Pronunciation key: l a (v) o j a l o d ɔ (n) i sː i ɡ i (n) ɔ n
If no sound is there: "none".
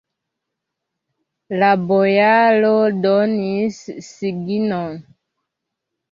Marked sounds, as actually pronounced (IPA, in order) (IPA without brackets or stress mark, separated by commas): b, n, n